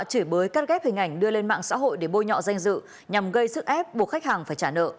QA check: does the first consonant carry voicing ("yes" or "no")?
no